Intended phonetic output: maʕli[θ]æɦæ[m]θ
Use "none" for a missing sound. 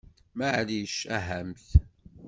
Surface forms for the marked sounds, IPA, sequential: ʃ, m

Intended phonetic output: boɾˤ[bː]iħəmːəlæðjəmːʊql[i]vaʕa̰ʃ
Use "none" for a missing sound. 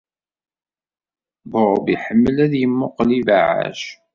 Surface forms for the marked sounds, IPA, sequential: b, i

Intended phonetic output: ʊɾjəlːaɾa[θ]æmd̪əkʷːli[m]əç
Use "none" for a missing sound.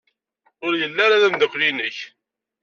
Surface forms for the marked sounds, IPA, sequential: ð, n

